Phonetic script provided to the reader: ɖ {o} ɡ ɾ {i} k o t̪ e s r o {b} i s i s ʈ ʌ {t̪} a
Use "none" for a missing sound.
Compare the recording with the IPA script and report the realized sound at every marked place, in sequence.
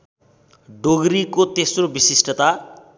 o, i, b, t̪

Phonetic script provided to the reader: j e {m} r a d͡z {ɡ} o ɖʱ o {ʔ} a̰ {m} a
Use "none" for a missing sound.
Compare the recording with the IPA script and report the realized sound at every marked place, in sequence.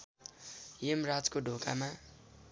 m, k, k, m

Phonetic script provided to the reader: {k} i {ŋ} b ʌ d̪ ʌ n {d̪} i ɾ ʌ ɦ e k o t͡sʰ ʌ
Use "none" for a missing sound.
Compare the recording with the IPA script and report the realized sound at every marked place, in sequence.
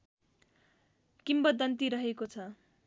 k, m, t̪

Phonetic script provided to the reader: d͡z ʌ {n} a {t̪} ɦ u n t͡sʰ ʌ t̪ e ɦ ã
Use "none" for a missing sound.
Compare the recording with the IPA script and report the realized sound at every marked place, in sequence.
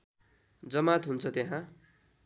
m, t̪

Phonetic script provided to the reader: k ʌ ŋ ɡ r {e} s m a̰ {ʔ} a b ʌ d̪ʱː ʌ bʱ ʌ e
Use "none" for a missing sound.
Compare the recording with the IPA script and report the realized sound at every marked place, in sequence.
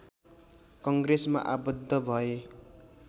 e, ʔ

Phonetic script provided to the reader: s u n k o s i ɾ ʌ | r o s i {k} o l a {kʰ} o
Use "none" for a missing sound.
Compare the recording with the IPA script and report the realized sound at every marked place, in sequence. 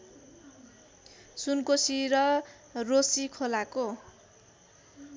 kʰ, k

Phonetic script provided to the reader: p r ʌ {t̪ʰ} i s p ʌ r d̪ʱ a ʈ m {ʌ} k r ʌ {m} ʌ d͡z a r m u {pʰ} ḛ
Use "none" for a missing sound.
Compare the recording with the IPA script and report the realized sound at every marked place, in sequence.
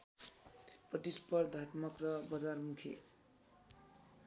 t̪, ʌ, b, kʰ

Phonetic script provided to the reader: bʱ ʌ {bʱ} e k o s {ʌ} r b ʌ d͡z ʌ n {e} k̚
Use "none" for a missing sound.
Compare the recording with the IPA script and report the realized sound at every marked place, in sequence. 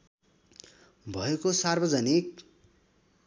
none, a, i

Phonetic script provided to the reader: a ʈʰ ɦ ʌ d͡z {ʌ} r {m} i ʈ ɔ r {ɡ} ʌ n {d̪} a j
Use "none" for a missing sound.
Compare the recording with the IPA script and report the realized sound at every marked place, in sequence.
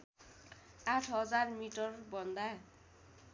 a, m, b, d̪

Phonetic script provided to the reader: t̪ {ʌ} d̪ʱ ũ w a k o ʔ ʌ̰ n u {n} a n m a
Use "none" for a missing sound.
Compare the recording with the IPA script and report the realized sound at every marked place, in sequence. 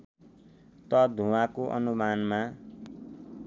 ʌ, m

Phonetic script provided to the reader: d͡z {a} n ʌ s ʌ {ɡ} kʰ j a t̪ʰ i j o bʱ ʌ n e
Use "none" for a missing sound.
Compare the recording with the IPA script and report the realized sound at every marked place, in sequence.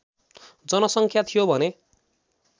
ʌ, ŋ

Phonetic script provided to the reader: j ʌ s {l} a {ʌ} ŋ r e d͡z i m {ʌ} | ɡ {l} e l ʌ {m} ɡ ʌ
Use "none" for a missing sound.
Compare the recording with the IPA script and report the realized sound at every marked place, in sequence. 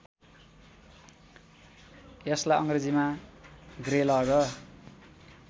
l, ʌ, a, r, none

